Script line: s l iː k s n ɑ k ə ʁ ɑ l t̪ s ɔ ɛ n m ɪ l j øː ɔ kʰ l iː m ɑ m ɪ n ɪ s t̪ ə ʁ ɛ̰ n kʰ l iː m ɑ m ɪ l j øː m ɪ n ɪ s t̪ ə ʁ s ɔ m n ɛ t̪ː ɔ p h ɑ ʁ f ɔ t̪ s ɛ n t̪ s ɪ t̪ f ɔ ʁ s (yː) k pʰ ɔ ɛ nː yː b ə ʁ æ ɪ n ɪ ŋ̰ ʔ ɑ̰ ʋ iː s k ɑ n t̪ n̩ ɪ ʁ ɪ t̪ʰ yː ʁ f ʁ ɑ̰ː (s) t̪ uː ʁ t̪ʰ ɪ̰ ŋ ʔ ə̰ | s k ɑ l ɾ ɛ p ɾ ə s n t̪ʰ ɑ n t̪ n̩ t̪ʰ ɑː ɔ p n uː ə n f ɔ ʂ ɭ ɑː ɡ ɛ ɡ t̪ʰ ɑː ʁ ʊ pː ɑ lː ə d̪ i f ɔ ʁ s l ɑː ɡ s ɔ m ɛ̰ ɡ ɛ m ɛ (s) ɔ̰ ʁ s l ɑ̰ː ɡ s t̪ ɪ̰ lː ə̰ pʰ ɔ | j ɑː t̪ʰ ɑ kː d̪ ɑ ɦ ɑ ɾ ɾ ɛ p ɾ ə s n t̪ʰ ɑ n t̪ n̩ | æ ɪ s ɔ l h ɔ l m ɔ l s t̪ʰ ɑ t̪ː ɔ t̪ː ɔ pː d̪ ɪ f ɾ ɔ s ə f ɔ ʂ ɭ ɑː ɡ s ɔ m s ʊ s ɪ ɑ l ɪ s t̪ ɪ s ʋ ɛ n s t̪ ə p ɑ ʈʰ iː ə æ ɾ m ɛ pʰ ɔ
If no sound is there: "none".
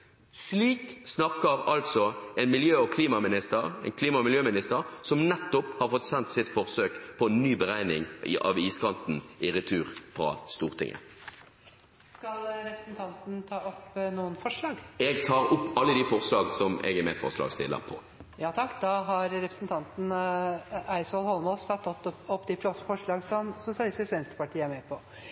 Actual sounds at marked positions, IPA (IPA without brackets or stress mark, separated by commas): øː, s, f